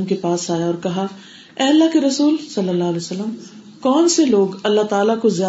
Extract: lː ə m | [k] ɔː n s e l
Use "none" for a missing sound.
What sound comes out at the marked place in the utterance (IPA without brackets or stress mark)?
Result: k